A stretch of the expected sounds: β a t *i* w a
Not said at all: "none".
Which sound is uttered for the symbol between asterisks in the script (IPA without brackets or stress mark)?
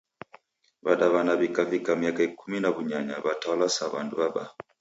a